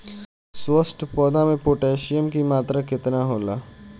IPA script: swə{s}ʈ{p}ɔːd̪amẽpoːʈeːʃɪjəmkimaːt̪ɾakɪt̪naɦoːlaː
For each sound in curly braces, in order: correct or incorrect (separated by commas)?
correct, correct